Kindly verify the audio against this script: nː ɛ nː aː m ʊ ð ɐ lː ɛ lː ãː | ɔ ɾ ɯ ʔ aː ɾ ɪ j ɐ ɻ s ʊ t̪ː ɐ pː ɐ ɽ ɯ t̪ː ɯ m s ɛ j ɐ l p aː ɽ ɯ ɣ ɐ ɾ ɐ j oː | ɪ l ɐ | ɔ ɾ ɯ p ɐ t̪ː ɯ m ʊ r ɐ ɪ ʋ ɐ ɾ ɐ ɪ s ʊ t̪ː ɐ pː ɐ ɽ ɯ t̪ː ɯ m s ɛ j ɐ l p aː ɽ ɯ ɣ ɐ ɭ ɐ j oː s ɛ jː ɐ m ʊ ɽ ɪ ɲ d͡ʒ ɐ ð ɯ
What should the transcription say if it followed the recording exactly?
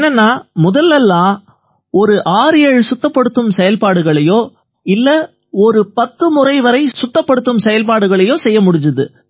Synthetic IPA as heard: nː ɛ nː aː m ʊ ð ɐ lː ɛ lː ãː | ɔ ɾ ɯ ʔ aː ɾ ɪ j ɐ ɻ s ʊ t̪ː ɐ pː ɐ ɽ ɯ t̪ː ɯ m s ɛ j ɐ l p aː ɽ ɯ ɣ ɐ ɭ ɐ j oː | ɪ lː ɐ | ɔ ɾ ɯ p ɐ t̪ː ɯ m ʊ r ɐ ɪ ʋ ɐ ɾ ɐ ɪ s ʊ t̪ː ɐ pː ɐ ɽ ɯ t̪ː ɯ m s ɛ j ɐ l p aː ɽ ɯ ɣ ɐ ɭ ɐ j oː s ɛ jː ɐ m ʊ ɽ ɪ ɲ d͡ʒ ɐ ð ɯ